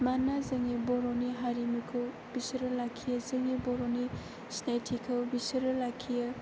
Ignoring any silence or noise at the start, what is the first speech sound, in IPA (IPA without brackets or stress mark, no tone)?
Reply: m